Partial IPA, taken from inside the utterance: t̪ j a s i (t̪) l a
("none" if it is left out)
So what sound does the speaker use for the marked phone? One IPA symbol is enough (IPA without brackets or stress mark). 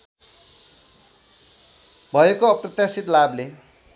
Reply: t̪